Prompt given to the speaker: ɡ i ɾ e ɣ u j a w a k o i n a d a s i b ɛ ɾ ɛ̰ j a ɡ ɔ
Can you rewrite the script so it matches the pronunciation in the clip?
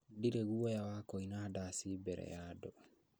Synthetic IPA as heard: d i ɾ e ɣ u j a w a k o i n a d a s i b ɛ ɾ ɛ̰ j a d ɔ